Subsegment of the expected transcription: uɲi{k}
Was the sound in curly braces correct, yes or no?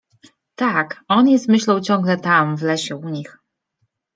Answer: no